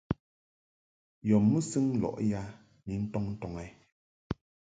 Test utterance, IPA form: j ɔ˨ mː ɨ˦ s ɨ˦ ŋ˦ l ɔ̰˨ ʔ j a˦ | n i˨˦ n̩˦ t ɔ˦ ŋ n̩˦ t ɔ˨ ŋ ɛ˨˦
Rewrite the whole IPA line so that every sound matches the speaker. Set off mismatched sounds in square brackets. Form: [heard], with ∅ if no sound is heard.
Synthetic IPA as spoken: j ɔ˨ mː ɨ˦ s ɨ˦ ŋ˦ l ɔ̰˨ ʔ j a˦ | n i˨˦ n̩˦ t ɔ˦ ŋ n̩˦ t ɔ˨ ŋ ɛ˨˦